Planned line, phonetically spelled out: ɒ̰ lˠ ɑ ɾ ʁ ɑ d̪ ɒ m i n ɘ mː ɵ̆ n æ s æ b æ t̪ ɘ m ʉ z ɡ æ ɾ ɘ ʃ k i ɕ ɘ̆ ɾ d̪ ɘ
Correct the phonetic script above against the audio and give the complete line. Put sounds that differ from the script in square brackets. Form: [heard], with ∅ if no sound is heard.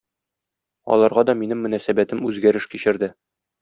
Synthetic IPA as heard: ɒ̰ lˠ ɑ ɾ ʁ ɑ d̪ ɒ m i n ɘ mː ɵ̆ n æ s æ b æ t̪ ɘ m ʉ z ɡ æ ɾ ɘ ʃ k i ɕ ɘ̆ ɾ d̪ ɘ